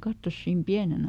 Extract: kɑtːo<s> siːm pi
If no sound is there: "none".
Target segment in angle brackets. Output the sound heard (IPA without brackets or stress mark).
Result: s